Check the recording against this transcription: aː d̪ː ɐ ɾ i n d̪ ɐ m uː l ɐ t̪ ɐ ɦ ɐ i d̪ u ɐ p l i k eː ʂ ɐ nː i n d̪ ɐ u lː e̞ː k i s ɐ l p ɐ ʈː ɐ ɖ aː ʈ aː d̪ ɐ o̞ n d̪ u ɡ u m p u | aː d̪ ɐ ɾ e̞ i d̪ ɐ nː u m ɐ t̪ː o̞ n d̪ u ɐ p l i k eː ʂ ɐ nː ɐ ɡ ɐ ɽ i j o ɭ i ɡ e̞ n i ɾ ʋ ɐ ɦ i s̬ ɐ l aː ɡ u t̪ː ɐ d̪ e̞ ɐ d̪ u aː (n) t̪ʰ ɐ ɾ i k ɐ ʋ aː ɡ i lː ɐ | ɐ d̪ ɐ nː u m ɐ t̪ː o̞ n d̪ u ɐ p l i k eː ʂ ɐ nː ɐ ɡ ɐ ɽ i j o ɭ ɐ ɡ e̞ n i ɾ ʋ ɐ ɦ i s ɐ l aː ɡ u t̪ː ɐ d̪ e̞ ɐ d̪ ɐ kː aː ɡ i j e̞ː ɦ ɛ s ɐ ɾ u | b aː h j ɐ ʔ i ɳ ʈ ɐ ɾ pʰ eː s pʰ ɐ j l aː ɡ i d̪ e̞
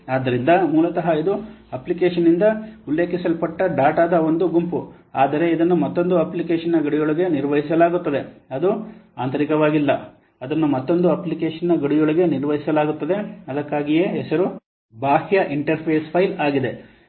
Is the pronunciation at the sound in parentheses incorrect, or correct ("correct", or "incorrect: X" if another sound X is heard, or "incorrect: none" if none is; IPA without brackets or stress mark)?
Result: correct